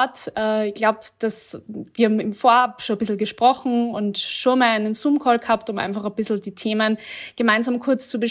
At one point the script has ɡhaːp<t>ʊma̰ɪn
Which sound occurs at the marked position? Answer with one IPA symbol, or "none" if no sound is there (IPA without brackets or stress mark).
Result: t